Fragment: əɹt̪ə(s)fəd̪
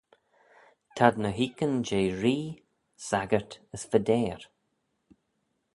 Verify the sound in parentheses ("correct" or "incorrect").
correct